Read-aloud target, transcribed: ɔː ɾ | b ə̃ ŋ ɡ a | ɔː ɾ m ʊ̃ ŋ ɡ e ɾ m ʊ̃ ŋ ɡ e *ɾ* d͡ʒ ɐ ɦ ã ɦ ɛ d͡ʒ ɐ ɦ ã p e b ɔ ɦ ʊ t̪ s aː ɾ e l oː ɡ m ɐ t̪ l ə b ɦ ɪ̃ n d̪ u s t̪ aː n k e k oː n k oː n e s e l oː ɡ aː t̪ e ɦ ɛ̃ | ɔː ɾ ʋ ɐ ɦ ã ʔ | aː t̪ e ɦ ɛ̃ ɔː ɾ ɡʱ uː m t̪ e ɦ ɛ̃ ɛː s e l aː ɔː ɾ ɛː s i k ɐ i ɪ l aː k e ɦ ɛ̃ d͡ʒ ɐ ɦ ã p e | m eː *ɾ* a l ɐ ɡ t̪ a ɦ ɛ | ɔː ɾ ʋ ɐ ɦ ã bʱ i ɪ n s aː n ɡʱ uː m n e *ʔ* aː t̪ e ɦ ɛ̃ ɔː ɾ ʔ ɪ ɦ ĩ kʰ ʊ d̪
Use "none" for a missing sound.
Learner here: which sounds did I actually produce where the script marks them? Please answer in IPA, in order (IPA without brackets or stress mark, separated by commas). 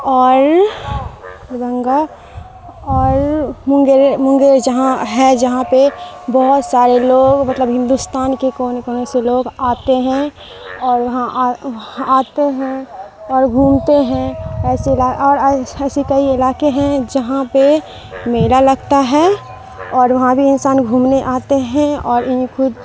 ɾ, l, ʔ